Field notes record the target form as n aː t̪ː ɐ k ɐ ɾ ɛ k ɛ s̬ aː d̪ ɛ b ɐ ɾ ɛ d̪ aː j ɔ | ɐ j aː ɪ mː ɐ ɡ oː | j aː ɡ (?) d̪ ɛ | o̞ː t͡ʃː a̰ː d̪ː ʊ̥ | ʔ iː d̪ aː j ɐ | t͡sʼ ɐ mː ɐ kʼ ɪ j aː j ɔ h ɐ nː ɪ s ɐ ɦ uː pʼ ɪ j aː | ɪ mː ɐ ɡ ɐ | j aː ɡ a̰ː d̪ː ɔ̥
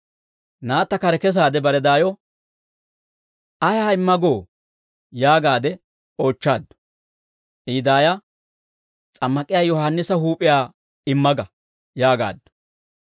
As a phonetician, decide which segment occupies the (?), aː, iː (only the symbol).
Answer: aː